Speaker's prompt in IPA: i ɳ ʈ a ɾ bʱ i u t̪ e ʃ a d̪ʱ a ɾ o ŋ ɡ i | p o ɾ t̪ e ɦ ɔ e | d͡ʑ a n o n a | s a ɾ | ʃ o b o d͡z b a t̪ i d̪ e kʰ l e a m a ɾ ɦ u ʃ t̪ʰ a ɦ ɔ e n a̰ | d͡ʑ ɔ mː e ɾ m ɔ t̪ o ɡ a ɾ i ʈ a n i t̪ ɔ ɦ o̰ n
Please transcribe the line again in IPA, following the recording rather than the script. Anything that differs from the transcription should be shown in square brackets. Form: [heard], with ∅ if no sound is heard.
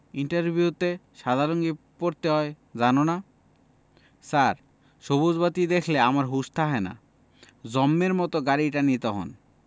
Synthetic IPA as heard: i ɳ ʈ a ɾ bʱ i u t̪ e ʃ a d̪ʱ a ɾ o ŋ ɡ i | p o ɾ t̪ e ɦ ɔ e | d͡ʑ a n o n a | s a ɾ | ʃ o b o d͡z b a t̪ i d̪ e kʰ l e a m a ɾ ɦ u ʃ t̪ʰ a ɦ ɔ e n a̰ | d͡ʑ ɔ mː e ɾ m ɔ t̪ o ɡ a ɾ i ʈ a n i t̪ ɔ ɦ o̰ n

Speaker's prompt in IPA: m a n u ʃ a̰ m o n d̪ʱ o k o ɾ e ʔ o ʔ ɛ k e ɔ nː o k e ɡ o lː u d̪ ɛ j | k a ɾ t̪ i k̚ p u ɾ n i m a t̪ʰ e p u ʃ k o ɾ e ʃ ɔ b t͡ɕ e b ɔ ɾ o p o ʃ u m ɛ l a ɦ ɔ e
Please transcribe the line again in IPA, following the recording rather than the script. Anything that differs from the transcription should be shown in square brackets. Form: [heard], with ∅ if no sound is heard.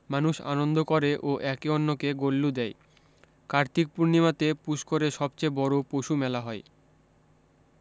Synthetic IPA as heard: m a n u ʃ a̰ [n] o n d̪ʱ o k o ɾ e ʔ o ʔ ɛ k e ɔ nː o k e ɡ o lː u d̪ ɛ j | k a ɾ t̪ i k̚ p u ɾ n i m a [t̪] e p u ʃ k o ɾ e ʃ ɔ b t͡ɕ e b ɔ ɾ o p o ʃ u m ɛ l a ɦ ɔ e

